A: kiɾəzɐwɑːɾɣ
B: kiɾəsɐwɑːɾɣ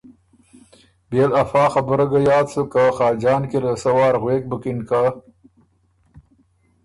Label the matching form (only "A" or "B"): B